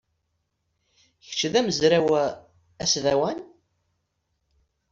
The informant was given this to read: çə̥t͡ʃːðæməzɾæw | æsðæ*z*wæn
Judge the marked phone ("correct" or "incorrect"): incorrect